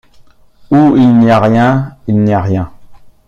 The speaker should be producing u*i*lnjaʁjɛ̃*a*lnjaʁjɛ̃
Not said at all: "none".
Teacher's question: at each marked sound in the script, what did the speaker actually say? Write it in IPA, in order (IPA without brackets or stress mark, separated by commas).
i, i